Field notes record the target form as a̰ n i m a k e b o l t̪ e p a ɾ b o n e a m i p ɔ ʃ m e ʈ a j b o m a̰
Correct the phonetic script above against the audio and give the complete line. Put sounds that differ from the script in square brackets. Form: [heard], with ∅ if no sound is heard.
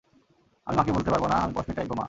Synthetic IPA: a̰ [m] i m a k e b o l t̪ e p a ɾ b o n [a] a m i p ɔ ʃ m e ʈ a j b o m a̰